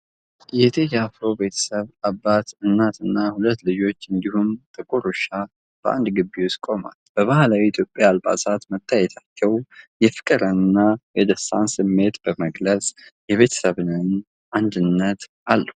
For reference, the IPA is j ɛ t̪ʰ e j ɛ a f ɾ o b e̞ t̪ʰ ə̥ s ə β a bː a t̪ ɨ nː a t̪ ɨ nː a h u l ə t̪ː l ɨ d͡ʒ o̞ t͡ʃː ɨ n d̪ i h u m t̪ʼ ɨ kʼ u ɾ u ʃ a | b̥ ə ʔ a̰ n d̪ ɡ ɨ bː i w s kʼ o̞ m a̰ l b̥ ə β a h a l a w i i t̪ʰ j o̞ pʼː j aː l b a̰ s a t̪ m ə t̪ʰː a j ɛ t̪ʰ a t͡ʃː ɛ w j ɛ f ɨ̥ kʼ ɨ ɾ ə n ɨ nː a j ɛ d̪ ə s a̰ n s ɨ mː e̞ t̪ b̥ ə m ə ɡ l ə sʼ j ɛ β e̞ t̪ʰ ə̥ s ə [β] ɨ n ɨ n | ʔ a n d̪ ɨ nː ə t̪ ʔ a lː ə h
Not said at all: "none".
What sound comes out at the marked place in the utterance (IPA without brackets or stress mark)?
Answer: β